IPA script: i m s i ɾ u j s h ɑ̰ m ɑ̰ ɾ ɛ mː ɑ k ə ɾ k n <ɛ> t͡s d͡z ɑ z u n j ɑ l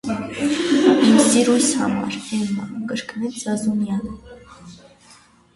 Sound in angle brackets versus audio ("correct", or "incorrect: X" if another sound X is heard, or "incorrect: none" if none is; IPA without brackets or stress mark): correct